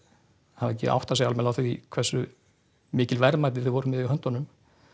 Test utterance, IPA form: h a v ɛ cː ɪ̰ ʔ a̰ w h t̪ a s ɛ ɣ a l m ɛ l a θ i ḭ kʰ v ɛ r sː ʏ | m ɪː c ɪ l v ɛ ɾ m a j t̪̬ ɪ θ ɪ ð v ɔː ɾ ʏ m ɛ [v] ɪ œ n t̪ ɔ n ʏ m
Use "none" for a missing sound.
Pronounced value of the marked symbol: ð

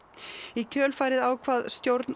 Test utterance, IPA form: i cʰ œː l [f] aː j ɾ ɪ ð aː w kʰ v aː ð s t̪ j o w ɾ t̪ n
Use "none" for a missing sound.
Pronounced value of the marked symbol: f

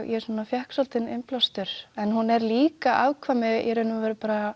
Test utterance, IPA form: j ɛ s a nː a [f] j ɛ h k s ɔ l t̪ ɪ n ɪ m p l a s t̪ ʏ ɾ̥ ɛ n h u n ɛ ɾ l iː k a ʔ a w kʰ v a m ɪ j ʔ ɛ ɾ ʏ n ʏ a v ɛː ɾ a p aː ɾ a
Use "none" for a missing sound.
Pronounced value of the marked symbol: f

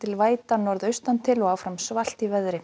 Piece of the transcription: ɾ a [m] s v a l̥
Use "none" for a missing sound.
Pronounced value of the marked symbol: m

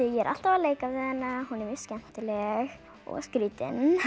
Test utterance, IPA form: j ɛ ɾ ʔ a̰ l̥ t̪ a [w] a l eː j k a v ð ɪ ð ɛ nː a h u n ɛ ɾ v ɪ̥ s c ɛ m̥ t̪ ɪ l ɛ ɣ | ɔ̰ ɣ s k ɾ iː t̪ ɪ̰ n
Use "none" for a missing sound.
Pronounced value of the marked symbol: v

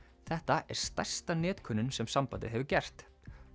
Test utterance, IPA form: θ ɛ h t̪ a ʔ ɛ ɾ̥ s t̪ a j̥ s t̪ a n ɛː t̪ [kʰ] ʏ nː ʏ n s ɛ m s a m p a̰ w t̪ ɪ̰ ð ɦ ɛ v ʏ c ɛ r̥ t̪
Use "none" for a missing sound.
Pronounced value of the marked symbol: kʰ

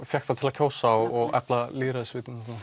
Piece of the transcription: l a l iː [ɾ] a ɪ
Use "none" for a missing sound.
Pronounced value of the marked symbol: ɾ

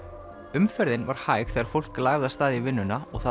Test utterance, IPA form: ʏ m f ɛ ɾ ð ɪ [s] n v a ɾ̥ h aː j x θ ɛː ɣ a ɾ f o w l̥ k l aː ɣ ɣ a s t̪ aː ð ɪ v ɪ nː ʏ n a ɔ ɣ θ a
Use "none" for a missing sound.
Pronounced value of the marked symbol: none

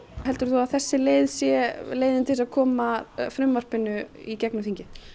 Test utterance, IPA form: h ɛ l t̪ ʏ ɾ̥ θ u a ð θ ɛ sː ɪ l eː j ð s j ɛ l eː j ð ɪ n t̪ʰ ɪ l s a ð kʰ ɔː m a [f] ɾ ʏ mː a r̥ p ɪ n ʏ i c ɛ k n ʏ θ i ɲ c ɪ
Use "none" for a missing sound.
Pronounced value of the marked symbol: f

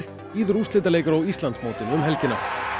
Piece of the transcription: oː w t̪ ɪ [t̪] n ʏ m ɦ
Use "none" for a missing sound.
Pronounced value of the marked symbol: none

